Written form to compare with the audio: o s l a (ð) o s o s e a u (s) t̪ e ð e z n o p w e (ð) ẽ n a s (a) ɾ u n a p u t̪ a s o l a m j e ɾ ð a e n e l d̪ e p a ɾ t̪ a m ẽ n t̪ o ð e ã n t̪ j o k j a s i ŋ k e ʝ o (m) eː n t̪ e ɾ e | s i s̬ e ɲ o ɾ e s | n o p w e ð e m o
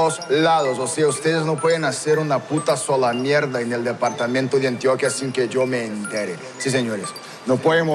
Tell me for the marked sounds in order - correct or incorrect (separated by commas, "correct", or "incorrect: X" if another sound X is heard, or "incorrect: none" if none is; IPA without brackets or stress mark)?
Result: correct, correct, correct, incorrect: e, correct